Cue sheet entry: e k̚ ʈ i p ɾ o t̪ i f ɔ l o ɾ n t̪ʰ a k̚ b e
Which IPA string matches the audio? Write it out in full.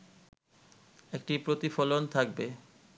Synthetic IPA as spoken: e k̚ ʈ i p ɾ o t̪ i f ɔ l o n t̪ʰ a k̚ b e